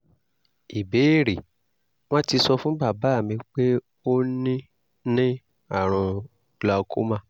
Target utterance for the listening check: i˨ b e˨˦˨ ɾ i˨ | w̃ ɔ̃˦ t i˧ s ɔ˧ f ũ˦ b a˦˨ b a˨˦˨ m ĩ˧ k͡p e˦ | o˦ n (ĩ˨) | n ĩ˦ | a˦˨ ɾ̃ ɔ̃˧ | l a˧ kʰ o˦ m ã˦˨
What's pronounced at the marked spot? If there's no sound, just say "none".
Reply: ĩ˦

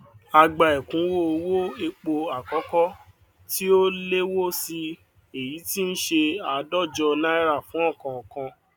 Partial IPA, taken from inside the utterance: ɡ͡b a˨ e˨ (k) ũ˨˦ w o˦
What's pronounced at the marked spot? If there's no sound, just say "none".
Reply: k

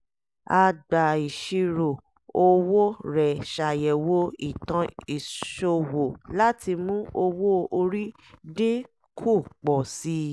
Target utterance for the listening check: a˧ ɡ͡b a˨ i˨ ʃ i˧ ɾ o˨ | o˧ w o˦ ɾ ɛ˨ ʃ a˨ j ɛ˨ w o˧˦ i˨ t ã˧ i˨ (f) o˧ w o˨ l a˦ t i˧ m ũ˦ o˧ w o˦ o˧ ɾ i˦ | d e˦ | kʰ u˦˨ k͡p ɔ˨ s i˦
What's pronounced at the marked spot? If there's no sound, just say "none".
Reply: ʃ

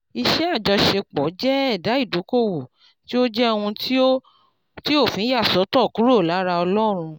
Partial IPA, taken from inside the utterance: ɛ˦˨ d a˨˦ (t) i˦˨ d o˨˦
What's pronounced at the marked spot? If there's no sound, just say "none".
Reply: none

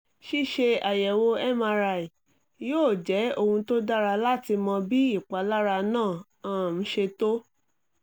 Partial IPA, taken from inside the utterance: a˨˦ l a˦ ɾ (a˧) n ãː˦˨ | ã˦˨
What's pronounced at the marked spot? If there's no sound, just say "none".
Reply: a˧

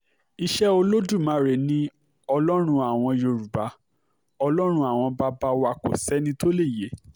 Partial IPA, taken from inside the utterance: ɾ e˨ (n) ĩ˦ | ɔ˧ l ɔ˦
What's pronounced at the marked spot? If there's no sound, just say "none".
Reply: n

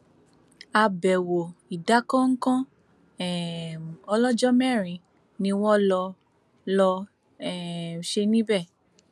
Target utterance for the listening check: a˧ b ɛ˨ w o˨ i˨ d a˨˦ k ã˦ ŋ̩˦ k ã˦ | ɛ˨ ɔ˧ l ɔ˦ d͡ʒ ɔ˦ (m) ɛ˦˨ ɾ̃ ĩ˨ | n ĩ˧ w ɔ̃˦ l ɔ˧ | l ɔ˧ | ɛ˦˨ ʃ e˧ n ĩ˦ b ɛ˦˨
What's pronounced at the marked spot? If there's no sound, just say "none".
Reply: m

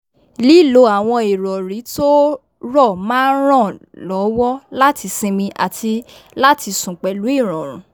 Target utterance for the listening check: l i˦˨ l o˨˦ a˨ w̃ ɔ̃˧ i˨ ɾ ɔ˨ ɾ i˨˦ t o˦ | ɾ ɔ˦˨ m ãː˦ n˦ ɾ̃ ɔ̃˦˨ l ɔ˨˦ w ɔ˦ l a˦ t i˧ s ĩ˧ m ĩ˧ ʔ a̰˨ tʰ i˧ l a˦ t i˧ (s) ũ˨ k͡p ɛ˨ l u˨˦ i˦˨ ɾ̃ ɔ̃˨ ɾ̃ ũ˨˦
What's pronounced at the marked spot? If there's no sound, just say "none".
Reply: s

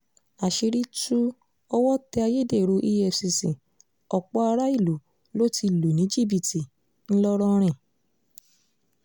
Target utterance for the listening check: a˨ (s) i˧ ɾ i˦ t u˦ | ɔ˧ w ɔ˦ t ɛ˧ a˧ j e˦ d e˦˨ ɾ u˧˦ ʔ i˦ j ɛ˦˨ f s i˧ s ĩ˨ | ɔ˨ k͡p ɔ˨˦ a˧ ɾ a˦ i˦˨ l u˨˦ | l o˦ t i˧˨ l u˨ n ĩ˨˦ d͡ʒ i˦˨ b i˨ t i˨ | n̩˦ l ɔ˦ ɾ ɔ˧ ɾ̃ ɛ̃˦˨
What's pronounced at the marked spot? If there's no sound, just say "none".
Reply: ʃ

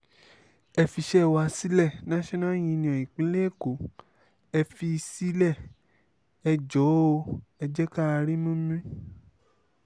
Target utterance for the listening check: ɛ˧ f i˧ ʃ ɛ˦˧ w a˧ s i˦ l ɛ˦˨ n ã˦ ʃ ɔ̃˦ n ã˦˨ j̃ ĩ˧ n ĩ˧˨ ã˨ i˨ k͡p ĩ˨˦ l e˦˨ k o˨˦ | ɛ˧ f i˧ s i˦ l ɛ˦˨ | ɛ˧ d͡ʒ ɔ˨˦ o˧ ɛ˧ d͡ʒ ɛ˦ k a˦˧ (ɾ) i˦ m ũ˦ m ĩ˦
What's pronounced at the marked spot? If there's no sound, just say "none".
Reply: ɾ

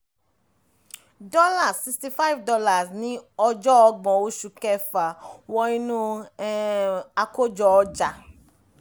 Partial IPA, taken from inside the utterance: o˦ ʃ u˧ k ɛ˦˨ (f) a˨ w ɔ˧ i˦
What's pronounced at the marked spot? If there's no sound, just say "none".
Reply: f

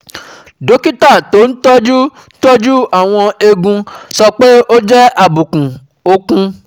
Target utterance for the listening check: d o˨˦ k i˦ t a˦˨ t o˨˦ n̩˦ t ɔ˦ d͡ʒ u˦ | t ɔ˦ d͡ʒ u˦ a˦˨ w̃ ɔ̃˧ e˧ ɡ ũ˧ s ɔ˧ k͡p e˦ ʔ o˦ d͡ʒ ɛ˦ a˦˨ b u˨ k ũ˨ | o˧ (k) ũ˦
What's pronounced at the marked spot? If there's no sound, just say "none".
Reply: k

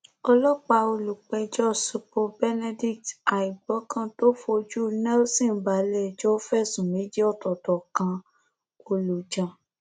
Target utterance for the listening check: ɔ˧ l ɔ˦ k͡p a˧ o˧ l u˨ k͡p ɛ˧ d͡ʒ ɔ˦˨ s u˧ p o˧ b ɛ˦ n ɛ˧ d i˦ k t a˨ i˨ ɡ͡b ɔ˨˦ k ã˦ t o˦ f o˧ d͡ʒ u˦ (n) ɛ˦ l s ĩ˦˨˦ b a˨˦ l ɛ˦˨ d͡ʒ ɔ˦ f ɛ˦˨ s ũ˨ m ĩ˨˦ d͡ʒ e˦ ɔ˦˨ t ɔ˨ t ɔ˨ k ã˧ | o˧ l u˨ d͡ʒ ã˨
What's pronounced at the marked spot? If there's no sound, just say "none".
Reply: n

